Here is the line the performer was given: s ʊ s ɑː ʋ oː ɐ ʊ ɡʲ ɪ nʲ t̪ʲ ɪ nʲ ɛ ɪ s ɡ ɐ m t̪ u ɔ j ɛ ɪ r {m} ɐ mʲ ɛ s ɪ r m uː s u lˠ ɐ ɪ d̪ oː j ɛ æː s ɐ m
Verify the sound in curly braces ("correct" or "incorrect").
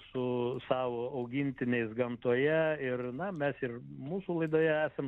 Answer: incorrect